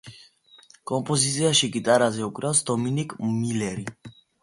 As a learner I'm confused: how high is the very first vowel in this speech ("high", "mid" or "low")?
mid